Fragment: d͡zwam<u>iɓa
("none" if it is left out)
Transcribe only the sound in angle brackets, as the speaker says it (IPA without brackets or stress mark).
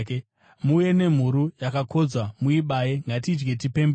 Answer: u